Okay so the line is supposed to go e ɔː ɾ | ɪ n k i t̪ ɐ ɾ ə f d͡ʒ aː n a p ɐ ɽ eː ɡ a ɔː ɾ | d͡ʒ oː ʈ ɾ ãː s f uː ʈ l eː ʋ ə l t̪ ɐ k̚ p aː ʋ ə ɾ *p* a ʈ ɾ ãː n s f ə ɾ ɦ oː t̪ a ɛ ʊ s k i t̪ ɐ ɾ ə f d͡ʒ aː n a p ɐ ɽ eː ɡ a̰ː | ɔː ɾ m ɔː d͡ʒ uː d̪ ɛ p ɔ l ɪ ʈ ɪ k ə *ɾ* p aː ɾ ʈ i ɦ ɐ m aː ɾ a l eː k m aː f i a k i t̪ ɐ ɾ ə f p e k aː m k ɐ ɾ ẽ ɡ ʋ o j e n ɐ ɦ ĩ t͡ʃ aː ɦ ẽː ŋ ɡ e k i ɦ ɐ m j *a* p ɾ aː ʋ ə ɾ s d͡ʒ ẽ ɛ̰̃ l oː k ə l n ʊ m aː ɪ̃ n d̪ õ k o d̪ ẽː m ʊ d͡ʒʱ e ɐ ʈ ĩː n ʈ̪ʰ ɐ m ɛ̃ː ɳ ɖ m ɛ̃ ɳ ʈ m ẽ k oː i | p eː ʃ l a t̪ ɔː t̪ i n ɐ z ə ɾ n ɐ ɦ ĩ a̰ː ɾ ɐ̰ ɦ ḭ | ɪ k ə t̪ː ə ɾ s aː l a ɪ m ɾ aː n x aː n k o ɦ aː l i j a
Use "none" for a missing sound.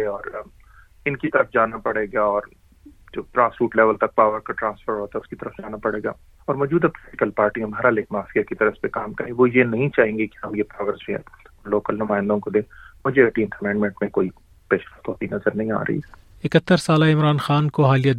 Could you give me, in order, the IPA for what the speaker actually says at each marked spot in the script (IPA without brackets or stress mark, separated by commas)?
k, l, e